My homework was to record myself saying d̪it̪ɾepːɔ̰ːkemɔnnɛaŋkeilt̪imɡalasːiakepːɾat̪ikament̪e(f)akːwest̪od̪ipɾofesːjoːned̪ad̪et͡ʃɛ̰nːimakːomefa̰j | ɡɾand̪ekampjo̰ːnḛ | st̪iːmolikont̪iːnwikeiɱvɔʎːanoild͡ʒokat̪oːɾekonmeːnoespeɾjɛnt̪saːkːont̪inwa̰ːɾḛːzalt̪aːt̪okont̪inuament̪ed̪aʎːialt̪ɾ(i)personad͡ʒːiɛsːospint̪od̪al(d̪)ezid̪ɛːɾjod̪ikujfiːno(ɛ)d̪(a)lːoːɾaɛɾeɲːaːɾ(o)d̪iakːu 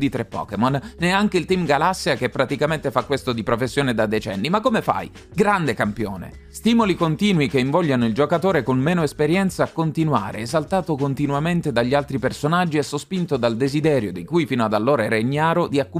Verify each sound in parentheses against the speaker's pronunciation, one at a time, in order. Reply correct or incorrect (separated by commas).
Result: correct, correct, correct, incorrect, correct, correct